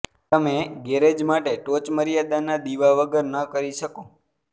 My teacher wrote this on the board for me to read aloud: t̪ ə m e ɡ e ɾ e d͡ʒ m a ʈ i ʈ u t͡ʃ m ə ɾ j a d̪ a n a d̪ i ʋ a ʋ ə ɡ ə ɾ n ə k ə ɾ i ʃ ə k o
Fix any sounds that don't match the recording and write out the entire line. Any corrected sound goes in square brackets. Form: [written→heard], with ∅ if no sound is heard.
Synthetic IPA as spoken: t̪ ə m e ɡ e ɾ e d͡ʒ m a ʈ [i→e] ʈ [u→o] t͡ʃ m ə ɾ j a d̪ a n a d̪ i ʋ a ʋ ə ɡ ə ɾ n ə k ə ɾ i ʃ ə k o